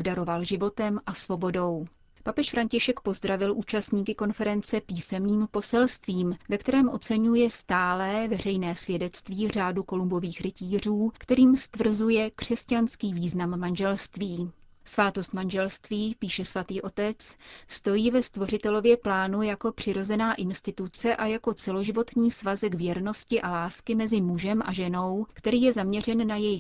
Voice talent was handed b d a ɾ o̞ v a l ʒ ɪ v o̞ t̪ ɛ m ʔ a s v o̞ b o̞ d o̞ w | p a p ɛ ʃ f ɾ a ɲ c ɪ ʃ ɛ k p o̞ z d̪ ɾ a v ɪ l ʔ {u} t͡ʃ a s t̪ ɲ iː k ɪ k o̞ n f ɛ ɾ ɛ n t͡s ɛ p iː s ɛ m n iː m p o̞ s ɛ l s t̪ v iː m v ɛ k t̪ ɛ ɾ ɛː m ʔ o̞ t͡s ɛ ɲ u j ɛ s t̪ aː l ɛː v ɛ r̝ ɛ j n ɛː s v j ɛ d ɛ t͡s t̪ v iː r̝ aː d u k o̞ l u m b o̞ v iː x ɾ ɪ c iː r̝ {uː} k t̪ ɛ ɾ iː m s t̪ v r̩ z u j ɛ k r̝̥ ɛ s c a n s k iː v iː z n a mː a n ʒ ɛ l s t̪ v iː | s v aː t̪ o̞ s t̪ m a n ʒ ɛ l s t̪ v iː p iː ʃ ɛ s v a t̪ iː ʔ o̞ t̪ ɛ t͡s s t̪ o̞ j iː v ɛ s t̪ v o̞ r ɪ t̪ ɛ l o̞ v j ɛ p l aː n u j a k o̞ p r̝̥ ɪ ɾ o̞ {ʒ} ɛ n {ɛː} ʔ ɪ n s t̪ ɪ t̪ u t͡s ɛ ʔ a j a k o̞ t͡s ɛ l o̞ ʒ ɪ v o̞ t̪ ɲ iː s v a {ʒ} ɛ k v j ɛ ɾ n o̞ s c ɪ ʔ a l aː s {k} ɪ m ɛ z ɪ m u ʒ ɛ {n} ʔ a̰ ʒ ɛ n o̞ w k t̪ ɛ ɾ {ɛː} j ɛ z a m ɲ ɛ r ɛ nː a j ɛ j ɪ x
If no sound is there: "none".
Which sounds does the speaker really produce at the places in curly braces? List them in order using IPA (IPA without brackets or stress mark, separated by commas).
uː, uː, z, aː, z, k, m, iː